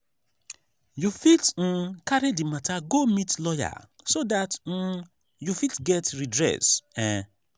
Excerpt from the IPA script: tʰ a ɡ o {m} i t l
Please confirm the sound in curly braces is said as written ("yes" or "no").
yes